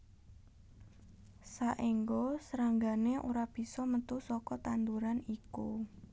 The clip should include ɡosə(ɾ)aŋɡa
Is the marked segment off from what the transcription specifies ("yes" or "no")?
no